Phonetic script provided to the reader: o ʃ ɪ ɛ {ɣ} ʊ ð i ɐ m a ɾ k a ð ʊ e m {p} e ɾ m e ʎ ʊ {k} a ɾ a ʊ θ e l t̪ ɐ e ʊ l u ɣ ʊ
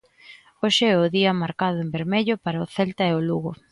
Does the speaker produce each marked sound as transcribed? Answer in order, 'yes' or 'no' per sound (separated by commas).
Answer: no, no, no